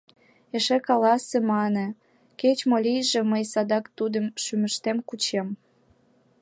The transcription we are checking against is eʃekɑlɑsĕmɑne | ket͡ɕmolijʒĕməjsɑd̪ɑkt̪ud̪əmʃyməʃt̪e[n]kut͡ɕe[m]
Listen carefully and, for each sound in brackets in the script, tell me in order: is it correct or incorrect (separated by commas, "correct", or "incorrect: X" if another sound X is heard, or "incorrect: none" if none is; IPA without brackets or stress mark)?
incorrect: m, correct